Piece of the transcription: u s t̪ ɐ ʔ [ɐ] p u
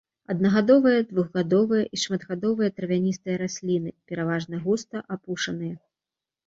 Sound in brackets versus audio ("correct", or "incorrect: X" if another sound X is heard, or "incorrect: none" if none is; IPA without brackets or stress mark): incorrect: a